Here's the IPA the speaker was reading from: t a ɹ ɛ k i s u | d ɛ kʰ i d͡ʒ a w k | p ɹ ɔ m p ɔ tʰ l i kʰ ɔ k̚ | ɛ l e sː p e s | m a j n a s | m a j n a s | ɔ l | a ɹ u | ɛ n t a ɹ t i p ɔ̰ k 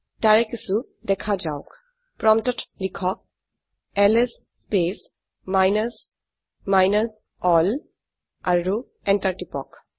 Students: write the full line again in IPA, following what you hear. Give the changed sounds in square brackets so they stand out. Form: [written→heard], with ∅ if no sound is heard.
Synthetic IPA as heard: t a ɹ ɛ k i s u | d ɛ kʰ [i→a] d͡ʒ a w k | p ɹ ɔ m [p→t] ɔ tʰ l i kʰ ɔ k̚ | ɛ l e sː p e s | m a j n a s | m a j n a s | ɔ l | a ɹ u | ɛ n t a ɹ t i p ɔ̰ k

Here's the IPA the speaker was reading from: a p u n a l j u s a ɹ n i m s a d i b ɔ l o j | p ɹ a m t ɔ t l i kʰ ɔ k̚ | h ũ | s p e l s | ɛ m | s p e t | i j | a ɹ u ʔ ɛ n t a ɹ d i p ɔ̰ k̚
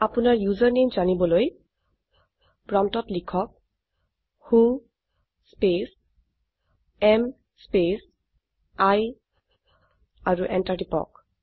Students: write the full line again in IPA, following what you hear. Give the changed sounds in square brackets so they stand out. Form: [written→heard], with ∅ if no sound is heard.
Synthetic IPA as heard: a p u n a [l→ɹ] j u [s→z] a ɹ n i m [s→z] a [d→n] i b ɔ l o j | p ɹ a m t ɔ t l i kʰ ɔ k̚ | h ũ | s p e [l→∅] s | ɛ m | s p e [t→s] | [i→a] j | a ɹ u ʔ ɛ n t a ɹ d i p ɔ̰ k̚

